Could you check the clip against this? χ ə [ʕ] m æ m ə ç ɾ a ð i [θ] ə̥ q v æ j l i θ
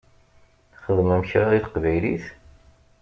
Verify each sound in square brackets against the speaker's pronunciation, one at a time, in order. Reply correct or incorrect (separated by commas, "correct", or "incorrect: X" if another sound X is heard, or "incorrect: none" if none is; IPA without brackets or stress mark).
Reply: incorrect: ð, correct